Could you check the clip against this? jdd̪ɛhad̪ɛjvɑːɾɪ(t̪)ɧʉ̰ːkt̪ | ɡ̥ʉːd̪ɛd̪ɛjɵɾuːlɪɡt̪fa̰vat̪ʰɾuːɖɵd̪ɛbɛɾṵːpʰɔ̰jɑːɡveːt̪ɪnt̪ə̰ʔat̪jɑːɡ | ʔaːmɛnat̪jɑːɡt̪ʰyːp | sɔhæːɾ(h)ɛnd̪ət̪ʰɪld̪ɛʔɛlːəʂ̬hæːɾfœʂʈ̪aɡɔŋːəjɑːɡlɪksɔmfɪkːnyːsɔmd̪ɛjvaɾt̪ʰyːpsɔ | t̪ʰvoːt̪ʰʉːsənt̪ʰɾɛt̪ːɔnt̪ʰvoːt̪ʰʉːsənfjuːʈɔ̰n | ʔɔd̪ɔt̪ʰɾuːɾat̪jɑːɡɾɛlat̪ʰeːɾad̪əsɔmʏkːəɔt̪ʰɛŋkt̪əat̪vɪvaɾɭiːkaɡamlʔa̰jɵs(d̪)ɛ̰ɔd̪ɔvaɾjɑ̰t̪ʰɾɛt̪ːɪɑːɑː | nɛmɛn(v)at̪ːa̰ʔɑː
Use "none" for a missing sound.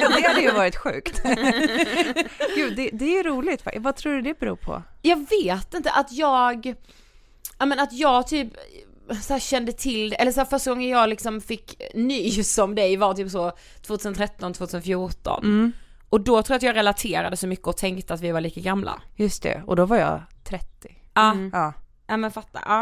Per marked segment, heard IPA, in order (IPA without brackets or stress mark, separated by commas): t̪, ɕ, t̪, f